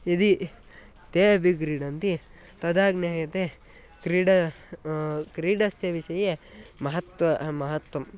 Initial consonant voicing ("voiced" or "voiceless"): voiced